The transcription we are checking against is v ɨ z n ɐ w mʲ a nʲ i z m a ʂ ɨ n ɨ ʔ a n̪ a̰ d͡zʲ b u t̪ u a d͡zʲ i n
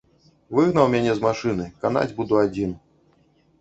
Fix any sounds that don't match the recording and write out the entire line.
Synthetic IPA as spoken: v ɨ ɣ n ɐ w mʲ a nʲ ɛ z m a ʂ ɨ n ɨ k a n̪ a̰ d͡zʲ b u d̪ u a d͡zʲ i n